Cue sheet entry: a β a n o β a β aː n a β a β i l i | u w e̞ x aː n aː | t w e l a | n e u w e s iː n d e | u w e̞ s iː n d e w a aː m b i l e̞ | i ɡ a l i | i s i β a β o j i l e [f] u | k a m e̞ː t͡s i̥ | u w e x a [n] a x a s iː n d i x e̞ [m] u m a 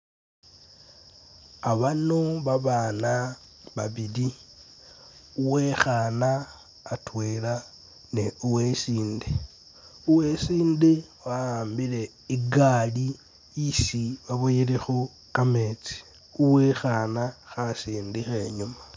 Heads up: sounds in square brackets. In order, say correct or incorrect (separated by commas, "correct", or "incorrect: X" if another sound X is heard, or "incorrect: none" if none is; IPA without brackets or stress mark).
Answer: incorrect: x, correct, incorrect: ɲ